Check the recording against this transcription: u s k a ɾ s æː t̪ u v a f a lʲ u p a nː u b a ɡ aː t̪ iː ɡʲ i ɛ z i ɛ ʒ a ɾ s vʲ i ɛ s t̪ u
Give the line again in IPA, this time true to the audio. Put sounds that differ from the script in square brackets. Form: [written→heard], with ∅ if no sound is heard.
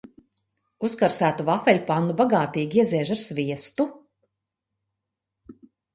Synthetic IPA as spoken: u s k a ɾ s æː t̪ u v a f [a→ɛ] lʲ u p a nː u b a ɡ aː t̪ iː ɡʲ i ɛ z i ɛ ʒ a ɾ s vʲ i ɛ s t̪ u

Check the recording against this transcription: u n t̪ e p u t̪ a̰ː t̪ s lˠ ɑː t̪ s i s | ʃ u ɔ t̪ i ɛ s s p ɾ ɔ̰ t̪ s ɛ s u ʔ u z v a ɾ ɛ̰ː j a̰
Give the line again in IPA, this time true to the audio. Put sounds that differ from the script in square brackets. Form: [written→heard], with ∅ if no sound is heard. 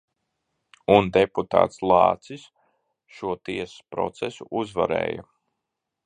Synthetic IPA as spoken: u n [t̪→d̪] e p u t̪ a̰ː t̪ s lˠ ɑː t̪ s i s | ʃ u ɔ t̪ i ɛ s s p ɾ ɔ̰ t̪ s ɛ s u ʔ u z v a ɾ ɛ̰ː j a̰

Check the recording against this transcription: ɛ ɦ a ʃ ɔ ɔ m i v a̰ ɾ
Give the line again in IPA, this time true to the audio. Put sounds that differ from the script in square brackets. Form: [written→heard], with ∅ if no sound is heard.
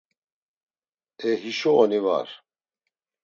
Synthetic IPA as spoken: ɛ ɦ [a→i] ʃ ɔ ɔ [m→n] i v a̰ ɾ

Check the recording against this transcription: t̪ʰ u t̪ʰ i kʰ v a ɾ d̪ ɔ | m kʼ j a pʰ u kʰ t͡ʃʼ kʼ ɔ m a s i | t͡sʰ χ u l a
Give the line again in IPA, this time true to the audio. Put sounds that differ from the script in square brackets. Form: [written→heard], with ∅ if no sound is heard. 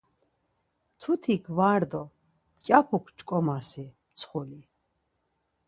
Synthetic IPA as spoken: t̪ʰ u t̪ʰ i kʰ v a ɾ d̪ ɔ | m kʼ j a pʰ u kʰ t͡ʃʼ kʼ ɔ m a s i | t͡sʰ χ u l [a→i]

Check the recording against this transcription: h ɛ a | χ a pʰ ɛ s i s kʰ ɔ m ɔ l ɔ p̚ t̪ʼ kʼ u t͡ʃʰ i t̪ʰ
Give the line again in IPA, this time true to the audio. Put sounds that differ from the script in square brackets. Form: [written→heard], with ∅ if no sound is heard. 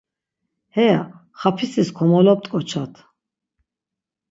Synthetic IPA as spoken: h ɛ a | χ a pʰ [ɛ→i] s i s kʰ ɔ m ɔ l ɔ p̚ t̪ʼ kʼ [u→ɔ] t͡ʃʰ [i→a] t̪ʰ

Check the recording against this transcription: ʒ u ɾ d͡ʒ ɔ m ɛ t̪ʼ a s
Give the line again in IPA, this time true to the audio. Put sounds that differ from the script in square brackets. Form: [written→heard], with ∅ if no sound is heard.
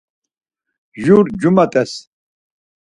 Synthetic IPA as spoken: ʒ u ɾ d͡ʒ [ɔ→u] m [ɛ→a] t̪ʼ [a→ɛ] s

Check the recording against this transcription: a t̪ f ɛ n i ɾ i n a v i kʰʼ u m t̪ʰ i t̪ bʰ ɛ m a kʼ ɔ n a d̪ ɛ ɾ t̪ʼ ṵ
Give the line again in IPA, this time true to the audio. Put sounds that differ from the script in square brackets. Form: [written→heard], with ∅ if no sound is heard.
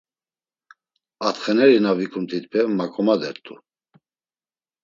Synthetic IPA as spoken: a t̪ [f→χ] ɛ n [i→ɛ] ɾ i n a v i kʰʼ u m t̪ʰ i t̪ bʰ ɛ m a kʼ ɔ [n→m] a d̪ ɛ ɾ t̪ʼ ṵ

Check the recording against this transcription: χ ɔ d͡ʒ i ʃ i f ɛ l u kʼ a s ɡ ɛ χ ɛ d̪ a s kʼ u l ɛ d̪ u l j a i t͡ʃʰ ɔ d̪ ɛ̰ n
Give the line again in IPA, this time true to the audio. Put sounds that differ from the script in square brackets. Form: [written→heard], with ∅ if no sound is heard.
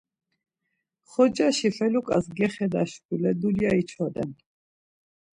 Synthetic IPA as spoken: χ ɔ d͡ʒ [i→a] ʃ i f ɛ l u kʼ a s ɡ ɛ χ ɛ d̪ a [s→ʃ] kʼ u l ɛ d̪ u l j a i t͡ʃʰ ɔ d̪ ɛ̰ n

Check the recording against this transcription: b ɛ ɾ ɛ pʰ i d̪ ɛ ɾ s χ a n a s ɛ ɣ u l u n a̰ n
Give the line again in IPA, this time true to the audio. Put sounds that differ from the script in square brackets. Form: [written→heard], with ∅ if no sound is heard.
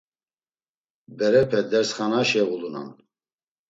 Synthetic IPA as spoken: b ɛ ɾ ɛ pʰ [i→ɛ] d̪ ɛ ɾ s χ a n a [s→ʃ] ɛ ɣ u l u n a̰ n

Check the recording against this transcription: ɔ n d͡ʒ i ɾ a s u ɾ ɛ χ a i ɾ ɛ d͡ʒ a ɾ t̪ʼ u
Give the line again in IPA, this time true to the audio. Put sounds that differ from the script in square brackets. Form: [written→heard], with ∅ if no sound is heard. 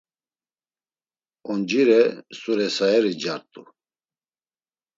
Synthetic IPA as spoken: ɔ n d͡ʒ i ɾ [a→ɛ] s u ɾ ɛ [χ→s] a [i→ɛ] ɾ [ɛ→i] d͡ʒ a ɾ t̪ʼ u

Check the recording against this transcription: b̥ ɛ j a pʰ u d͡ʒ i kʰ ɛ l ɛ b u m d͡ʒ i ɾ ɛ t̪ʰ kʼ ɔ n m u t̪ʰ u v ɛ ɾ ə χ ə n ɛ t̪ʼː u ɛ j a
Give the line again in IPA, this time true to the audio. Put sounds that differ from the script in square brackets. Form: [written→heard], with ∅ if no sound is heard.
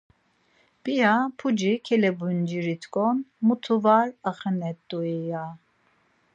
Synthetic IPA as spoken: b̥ [ɛ→i] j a pʰ u d͡ʒ i kʰ ɛ l ɛ b u [m→n] d͡ʒ i ɾ [ɛ→i] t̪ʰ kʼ ɔ n m u t̪ʰ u v [ɛ→a] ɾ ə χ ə n ɛ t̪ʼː u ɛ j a

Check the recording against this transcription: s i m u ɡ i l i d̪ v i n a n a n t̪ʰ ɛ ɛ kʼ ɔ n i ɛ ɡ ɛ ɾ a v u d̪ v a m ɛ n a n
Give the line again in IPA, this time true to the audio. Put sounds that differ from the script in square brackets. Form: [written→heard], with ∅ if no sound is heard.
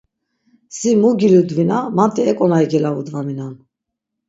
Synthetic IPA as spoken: s i m u ɡ i l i d̪ v i n a [n→m] a n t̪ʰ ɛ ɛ kʼ ɔ n [i→a] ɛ ɡ ɛ [ɾ→l] a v u d̪ v a m [ɛ→i] n a n

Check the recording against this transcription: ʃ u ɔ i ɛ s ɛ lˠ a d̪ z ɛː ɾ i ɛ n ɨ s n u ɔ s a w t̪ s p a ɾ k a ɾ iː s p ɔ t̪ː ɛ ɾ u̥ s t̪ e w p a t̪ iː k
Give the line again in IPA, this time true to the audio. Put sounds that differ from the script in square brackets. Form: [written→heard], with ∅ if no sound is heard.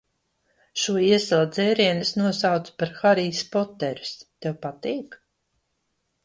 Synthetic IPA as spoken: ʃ u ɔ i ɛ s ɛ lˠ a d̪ z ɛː ɾ i ɛ n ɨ s n u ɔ s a w t̪ s p a ɾ [k→x] a ɾ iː s p ɔ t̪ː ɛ ɾ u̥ s t̪ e w p a t̪ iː k

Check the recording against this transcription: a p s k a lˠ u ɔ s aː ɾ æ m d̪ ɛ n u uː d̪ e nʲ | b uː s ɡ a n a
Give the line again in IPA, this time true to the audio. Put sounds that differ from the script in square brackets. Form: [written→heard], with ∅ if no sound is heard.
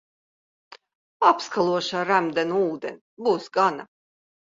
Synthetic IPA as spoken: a p s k a lˠ u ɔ [s→ʃ] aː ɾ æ m d̪ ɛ n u uː d̪ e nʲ | b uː s ɡ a n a

